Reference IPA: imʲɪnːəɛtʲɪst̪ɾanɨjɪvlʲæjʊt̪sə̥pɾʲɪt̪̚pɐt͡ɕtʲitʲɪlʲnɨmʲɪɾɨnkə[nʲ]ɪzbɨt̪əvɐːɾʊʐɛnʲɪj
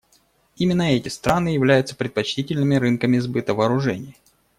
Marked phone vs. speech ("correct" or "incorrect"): incorrect